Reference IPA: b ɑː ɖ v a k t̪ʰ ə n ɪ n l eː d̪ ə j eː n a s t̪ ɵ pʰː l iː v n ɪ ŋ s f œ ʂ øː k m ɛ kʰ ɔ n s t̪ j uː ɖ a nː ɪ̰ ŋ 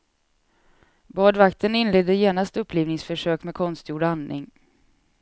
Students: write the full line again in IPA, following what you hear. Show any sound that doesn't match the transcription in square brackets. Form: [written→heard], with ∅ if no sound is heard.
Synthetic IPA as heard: b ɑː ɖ v a k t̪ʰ ə n ɪ n l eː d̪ ə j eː n a s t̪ ɵ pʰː l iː v n ɪ ŋ s f œ ʂ øː k m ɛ kʰ ɔ n s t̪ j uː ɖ a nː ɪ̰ ŋ